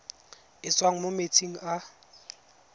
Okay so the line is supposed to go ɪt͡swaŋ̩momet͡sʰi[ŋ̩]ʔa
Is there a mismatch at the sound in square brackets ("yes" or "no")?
no